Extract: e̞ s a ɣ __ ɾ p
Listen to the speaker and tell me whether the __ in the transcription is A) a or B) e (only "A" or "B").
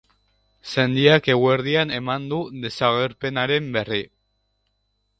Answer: B